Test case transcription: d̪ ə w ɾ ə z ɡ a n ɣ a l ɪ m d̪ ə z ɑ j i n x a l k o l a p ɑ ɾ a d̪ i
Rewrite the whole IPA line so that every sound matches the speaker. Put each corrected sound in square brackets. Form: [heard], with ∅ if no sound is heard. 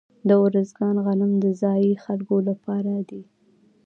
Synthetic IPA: d̪ ə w ɾ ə z ɡ [ɑ] n ɣ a l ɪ m d̪ ə z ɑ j i [∅] x a l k o l a p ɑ ɾ a d̪ i